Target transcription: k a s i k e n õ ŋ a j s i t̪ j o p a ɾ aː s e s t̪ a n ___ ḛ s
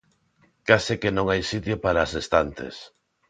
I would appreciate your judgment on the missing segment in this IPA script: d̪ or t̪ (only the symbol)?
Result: t̪